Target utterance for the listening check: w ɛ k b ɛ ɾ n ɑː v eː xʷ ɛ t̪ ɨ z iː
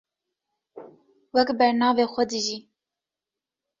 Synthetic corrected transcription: w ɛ k b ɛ ɾ n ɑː v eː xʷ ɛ d̪ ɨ ʒ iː